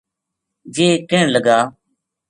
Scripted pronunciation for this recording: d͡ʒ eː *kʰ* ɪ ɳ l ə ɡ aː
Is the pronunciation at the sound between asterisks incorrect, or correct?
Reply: incorrect